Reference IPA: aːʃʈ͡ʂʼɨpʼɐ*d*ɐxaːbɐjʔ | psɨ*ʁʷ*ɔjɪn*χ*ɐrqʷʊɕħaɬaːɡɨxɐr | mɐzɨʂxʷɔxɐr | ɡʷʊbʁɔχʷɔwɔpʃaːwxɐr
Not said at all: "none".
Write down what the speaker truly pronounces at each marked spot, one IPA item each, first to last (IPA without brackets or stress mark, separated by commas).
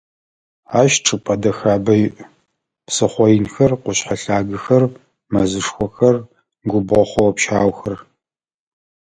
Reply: d, χʷ, x